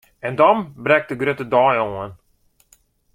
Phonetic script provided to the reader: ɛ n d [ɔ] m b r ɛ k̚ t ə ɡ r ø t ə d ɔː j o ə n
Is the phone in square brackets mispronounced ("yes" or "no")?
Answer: no